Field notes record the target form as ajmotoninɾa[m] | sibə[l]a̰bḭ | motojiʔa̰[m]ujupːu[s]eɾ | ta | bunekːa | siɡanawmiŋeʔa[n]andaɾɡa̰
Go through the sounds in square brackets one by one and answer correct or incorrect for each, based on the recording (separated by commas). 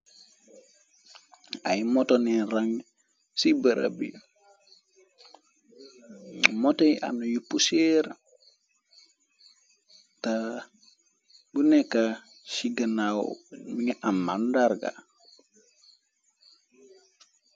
incorrect, incorrect, incorrect, correct, incorrect